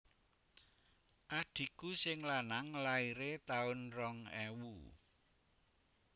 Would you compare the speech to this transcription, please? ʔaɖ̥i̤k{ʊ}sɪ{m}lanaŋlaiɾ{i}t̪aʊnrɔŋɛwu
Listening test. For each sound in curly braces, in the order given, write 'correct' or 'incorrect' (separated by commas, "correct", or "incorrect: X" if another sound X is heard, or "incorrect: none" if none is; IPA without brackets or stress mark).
incorrect: u, incorrect: ŋ, incorrect: e